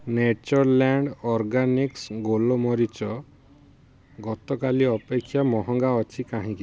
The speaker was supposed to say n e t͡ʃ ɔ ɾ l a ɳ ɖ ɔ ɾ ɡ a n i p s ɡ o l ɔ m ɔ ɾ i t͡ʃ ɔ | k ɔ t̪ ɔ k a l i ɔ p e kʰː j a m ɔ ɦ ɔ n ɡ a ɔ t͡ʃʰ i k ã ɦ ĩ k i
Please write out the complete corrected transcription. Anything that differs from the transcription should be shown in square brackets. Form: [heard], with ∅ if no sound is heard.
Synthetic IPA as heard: n e t͡ʃ ɔ ɾ l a ɳ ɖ ɔ ɾ ɡ a n i [k] s ɡ o l ɔ m ɔ ɾ i t͡ʃ ɔ | [ɡ] ɔ t̪ ɔ k a l i ɔ p e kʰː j a m ɔ ɦ ɔ [ŋ] ɡ a ɔ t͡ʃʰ i k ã ɦ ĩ k i

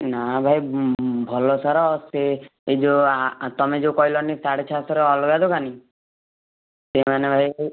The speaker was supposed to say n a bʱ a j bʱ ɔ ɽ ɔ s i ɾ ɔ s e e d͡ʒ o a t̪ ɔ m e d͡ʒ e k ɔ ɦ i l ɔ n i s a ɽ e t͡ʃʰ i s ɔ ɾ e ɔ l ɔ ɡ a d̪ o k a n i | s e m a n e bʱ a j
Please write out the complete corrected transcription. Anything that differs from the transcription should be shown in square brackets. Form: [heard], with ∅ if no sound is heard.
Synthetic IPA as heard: n a bʱ a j bʱ ɔ [l] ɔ s [a] ɾ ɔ s e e d͡ʒ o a t̪ ɔ m e d͡ʒ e k ɔ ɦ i l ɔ n i s a ɽ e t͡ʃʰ [a] s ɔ ɾ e ɔ l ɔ ɡ a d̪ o k a n i | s e m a n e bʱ a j

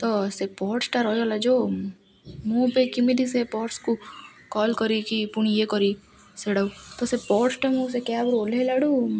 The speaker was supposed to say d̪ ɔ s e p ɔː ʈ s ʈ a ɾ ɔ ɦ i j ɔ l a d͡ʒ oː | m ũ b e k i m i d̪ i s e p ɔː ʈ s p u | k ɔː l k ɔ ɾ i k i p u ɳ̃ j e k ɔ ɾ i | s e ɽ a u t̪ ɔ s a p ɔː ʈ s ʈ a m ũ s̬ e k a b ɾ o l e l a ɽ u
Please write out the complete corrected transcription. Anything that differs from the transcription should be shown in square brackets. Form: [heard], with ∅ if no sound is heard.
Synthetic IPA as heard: [t̪] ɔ s e p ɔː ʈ s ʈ a ɾ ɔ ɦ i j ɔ l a d͡ʒ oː | m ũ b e k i m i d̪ i s e p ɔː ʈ s [k] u | k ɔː l k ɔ ɾ i k i p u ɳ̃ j e k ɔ ɾ i | s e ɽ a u t̪ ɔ s [e] p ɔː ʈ s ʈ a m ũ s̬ e k a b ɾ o l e l a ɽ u

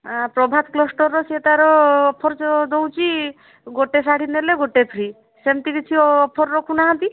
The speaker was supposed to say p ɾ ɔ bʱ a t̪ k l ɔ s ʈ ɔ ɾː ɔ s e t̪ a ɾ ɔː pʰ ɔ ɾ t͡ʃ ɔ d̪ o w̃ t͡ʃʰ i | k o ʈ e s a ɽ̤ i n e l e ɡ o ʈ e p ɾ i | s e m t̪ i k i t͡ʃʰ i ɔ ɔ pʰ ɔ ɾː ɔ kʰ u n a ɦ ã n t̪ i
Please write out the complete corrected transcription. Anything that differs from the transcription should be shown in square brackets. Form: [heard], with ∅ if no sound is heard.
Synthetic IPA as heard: p ɾ ɔ bʱ a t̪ k l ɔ s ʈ ɔ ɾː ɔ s e t̪ a ɾ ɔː pʰ ɔ ɾ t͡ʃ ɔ d̪ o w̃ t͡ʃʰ i | [ɡ] o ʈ e s a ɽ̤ i n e l e ɡ o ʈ e [pʰ] ɾ i | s e m t̪ i k i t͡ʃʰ i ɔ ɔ pʰ ɔ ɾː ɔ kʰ u n a ɦ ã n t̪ i

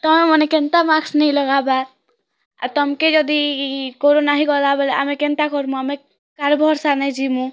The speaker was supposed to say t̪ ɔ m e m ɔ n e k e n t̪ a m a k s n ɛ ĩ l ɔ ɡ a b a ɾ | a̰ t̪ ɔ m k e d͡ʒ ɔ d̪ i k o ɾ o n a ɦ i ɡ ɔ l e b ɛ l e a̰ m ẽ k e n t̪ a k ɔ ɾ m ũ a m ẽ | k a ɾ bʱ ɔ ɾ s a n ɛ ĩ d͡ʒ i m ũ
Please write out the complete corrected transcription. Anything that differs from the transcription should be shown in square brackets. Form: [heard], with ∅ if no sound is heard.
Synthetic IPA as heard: t̪ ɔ m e m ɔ n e k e n t̪ a m a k s n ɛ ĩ l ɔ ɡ a b a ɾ | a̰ t̪ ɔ m k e d͡ʒ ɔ d̪ i k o ɾ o n a ɦ i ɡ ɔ l [a] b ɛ l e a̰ m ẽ k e n t̪ a k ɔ ɾ m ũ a m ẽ | k a ɾ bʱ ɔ ɾ s a n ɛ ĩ d͡ʒ i m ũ

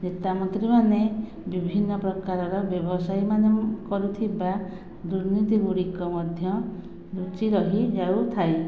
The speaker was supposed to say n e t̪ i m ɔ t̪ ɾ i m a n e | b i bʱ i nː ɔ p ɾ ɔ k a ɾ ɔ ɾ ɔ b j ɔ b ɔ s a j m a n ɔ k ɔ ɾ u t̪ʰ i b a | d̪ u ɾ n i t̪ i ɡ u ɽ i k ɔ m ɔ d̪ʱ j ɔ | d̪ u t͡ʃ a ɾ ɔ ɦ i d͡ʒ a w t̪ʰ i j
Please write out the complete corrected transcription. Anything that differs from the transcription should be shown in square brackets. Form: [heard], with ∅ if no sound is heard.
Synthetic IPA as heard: n e t̪ [a] m ɔ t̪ ɾ i m a n e | b i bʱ i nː ɔ p ɾ ɔ k a ɾ ɔ ɾ ɔ b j ɔ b ɔ s a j m a n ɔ k ɔ ɾ u t̪ʰ i b a | d̪ u ɾ n i t̪ i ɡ u ɽ i k ɔ m ɔ d̪ʱ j ɔ | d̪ u t͡ʃ [i] ɾ ɔ ɦ i d͡ʒ a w t̪ʰ [a] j

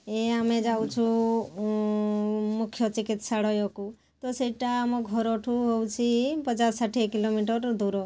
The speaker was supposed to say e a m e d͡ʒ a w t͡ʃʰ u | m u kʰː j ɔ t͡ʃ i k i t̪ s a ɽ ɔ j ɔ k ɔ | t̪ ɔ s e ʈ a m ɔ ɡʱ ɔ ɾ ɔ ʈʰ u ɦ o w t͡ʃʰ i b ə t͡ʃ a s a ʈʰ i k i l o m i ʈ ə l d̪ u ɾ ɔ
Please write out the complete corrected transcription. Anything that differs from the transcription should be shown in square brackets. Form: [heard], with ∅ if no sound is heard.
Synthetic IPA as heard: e a m e d͡ʒ a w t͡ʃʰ u | m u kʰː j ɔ t͡ʃ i k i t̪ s a ɽ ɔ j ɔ k [u] | t̪ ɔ s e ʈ a m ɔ ɡʱ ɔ ɾ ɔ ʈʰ u ɦ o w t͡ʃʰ i [p] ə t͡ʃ a s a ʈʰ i k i l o m i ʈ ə [ɾ] d̪ u ɾ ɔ

